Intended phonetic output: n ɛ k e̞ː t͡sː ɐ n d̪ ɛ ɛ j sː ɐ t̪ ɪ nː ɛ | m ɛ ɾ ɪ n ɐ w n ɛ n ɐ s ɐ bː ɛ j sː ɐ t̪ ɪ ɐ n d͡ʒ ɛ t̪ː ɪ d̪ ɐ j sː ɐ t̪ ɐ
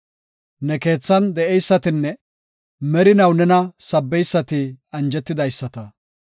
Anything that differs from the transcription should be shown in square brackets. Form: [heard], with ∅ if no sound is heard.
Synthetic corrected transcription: n ɛ k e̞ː t͡sː ɐ n d̪ ɛ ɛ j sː ɐ t̪ ɪ nː ɛ | m ɛ ɾ ɪ n ɐ w n ɛ n ɐ s ɐ bː ɛ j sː ɐ t̪ ɪ ɐ n d͡ʒ ɛ t̪ː ɪ d̪ ɐ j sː ɐ t̪ ɐ